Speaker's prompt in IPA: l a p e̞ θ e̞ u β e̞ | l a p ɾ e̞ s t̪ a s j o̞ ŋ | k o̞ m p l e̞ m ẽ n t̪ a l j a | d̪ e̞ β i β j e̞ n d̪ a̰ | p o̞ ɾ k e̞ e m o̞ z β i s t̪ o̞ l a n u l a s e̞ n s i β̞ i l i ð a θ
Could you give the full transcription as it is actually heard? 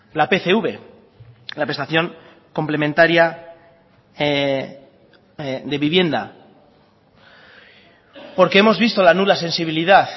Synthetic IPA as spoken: l a p e̞ θ e̞ u β e̞ | l a p ɾ e̞ s t̪ a θ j o̞ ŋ | k o̞ m p l e̞ m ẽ n t̪ a ɾ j a | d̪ e̞ β i β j e̞ n d̪ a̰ | p o̞ ɾ k e̞ e m o̞ z β i s t̪ o̞ l a n u l a s e̞ n s i β̞ i l i ð a θ